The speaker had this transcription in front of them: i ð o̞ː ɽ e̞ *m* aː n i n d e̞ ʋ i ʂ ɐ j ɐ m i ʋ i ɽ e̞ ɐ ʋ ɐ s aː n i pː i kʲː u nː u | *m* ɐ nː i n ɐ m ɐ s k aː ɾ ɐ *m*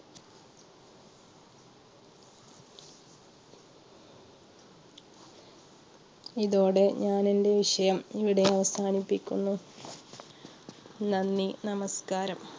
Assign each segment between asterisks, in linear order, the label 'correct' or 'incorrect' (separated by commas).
incorrect, incorrect, correct